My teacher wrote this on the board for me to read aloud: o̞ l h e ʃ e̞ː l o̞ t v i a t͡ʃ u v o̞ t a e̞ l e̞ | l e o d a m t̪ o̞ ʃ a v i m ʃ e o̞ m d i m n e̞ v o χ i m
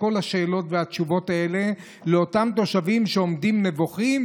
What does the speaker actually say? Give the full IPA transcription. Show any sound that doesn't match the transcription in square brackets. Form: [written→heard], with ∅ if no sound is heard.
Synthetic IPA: o̞ l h [e→a] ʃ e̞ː l o̞ t v [i→e] a t͡ʃ u v o̞ t a e̞ l e̞ | l e o [d→t] a m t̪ o̞ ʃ a v i m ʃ e o̞ m d i m n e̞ v o χ i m